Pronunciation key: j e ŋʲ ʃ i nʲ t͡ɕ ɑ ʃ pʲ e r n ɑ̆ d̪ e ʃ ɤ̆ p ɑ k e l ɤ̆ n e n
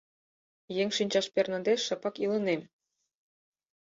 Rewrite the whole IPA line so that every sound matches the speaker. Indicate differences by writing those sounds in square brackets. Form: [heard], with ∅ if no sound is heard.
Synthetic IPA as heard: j e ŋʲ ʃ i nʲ t͡ɕ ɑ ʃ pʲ e r n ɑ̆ d̪ e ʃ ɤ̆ p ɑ k [i] l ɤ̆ n e [m]